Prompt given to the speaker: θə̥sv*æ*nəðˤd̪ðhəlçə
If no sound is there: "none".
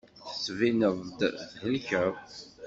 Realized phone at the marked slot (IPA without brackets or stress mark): i